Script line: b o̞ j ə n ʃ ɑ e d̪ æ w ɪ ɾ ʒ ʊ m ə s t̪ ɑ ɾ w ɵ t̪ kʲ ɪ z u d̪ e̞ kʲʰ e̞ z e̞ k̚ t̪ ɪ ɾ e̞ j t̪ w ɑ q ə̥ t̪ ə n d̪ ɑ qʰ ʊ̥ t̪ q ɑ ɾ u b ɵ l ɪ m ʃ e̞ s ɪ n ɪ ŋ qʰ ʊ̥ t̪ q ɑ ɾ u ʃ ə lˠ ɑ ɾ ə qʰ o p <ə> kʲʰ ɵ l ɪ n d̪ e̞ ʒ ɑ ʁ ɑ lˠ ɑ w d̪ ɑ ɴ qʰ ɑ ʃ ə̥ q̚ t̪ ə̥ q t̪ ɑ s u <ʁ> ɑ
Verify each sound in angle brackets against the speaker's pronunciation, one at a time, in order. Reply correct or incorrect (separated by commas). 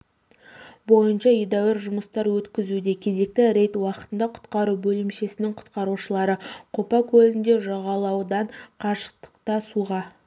incorrect, correct